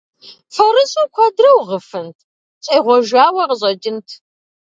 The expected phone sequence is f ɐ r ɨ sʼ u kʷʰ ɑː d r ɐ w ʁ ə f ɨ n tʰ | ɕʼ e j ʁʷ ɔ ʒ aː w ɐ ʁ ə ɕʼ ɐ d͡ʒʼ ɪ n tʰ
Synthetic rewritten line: f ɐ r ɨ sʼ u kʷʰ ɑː d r ɐ w ʁ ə f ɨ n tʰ | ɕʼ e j ʁʷ ɔ ʒ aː w ɐ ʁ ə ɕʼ ɐ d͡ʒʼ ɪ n tʰ